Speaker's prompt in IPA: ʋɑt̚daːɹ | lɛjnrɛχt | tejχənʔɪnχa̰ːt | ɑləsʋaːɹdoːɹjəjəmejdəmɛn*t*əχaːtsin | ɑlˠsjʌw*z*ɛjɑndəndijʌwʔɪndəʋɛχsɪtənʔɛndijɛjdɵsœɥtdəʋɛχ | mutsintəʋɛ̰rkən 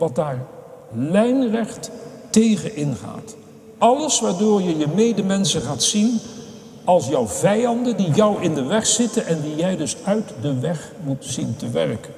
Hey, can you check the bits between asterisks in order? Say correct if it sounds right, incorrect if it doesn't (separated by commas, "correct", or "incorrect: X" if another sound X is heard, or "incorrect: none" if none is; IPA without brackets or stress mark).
incorrect: s, incorrect: v